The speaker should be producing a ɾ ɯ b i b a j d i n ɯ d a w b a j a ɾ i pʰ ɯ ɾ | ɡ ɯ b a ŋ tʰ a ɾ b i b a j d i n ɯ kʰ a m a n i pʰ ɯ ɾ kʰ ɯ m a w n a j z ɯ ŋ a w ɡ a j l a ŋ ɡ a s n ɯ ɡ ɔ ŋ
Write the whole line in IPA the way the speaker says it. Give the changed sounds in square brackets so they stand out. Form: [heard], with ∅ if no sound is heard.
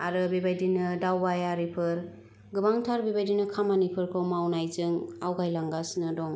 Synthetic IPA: a ɾ ɯ b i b a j d i n ɯ d a w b a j a ɾ i pʰ ɯ ɾ | ɡ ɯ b a ŋ tʰ a ɾ b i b a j d i n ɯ kʰ a m a n i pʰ ɯ ɾ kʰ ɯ m a w n a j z ɯ ŋ a w ɡ a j l a ŋ ɡ a s n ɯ [d] ɔ ŋ